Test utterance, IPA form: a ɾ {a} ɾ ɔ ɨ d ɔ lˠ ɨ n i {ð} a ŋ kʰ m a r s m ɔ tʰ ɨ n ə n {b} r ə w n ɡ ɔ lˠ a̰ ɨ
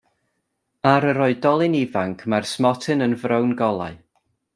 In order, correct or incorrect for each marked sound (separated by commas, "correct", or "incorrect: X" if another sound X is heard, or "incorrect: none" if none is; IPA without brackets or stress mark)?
incorrect: ə, incorrect: v, incorrect: v